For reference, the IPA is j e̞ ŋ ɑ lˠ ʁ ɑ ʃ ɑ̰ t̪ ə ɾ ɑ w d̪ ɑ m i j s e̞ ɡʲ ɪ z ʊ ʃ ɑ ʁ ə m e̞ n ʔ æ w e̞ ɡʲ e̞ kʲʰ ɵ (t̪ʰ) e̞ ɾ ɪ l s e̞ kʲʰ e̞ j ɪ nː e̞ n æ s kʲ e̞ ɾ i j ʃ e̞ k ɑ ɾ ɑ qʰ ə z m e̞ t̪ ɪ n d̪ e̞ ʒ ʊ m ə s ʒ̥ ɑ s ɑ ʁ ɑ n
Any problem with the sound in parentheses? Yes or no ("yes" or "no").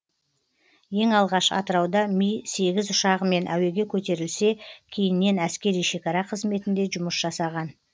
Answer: yes